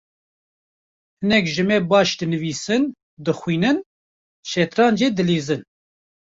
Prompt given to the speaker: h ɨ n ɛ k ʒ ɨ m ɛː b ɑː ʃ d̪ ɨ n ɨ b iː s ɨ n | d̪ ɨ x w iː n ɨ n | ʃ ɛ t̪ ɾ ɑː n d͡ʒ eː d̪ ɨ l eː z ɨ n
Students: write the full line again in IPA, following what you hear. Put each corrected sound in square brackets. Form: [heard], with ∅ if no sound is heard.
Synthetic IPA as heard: h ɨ n ɛ k ʒ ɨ m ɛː b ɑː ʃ d̪ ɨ n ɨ [v] iː s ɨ n | d̪ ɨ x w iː n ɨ n | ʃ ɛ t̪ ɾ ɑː n d͡ʒ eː d̪ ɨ l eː z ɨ n